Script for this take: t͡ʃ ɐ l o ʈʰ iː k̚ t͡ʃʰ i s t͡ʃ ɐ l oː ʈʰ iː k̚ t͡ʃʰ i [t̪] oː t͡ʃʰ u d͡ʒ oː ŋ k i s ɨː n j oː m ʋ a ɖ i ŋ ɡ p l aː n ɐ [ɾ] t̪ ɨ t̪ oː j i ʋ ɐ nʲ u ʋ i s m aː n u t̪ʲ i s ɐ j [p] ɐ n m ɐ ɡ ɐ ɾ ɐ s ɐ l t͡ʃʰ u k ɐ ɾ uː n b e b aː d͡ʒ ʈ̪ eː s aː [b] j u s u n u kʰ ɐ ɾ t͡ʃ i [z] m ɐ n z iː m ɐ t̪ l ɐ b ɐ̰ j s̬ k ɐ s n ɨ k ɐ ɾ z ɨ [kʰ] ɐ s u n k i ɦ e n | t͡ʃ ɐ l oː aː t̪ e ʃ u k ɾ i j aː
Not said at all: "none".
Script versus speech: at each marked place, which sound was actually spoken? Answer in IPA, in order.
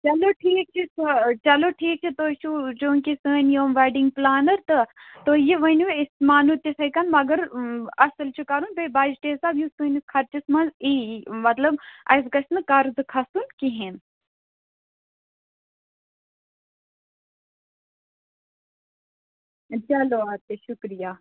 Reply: t̪, ɾ, k, b, s, kʰ

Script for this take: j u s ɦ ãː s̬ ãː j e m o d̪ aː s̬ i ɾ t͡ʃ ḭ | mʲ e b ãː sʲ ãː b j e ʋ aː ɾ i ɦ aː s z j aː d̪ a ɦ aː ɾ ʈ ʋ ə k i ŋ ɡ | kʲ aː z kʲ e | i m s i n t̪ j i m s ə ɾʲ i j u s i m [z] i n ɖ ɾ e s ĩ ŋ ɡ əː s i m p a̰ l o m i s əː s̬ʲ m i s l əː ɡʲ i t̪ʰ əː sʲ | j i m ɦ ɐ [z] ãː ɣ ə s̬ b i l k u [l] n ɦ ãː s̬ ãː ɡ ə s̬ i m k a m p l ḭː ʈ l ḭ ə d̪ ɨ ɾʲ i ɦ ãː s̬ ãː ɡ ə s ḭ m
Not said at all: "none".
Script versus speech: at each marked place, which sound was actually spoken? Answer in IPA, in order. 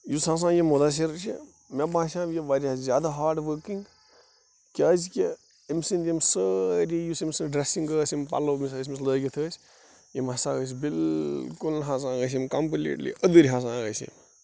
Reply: s, s, l

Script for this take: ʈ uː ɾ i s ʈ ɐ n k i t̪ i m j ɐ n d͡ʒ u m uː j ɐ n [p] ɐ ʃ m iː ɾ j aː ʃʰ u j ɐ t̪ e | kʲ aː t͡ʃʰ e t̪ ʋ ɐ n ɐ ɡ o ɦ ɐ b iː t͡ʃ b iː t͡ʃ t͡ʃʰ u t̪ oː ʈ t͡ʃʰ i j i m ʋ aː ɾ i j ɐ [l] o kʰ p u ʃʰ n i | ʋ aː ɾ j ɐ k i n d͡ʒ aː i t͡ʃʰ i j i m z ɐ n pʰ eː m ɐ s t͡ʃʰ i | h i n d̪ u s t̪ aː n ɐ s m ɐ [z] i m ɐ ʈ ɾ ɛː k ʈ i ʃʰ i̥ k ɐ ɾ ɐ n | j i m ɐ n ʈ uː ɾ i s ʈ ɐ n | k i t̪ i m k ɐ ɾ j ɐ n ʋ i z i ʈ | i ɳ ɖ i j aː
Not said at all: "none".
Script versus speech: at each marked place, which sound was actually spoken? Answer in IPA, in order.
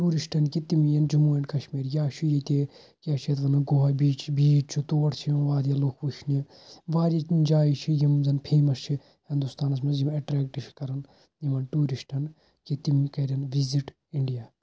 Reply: k, l, z

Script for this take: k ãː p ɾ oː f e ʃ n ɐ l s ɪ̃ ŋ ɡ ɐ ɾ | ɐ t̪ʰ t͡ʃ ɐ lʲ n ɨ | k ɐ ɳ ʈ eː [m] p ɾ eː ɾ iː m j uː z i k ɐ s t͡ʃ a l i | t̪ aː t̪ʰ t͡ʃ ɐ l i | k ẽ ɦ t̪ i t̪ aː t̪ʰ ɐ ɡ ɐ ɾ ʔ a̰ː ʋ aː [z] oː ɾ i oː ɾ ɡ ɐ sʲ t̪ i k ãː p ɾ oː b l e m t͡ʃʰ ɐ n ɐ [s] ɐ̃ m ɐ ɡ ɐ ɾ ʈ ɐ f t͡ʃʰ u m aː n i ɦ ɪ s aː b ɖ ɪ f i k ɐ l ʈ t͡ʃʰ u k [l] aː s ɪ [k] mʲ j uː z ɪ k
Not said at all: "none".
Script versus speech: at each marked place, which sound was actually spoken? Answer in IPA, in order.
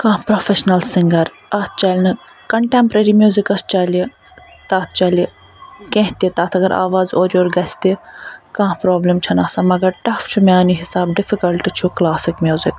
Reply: m, z, s, l, k

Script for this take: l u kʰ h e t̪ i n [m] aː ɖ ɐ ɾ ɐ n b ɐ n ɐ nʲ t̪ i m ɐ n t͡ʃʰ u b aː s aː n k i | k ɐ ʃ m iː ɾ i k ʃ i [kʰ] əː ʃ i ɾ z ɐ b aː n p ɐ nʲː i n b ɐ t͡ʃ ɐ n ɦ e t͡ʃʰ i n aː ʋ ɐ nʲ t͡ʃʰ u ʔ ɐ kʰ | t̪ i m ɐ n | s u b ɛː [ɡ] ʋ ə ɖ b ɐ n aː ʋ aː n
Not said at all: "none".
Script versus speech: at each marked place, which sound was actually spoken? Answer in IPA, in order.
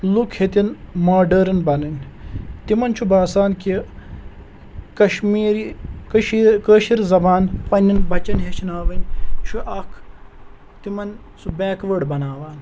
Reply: m, k, k

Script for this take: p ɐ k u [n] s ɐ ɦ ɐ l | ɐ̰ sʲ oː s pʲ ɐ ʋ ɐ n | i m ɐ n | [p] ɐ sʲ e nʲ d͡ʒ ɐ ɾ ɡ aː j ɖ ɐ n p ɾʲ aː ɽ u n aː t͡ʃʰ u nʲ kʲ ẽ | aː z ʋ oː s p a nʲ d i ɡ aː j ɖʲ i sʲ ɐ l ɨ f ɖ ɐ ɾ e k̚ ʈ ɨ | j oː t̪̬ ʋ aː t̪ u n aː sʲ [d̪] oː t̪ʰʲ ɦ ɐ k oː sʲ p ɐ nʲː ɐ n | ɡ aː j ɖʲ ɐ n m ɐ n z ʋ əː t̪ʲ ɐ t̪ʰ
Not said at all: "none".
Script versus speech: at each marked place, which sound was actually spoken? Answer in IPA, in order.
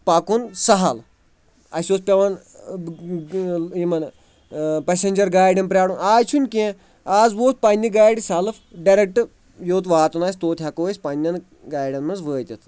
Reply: n, p, t̪

